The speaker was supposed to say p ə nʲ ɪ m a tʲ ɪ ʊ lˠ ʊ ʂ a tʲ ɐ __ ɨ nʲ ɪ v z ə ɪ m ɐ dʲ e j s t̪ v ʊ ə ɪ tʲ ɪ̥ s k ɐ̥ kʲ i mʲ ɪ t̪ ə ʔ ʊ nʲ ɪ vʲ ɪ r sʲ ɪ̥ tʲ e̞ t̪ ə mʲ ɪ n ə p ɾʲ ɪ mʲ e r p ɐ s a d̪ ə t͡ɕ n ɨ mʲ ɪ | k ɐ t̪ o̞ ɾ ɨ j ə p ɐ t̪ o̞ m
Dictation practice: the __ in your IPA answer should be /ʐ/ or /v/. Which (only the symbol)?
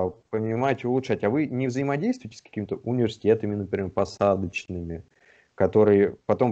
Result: v